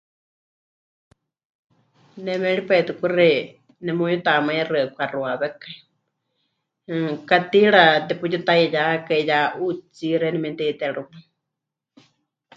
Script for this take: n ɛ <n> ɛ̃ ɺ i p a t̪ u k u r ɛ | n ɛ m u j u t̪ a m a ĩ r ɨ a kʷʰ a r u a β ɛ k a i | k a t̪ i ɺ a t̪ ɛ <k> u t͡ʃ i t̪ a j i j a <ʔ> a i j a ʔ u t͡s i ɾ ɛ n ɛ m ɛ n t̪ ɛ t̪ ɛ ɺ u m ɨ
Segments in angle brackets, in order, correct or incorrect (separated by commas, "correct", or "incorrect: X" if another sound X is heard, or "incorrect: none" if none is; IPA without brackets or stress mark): incorrect: m, incorrect: p, incorrect: k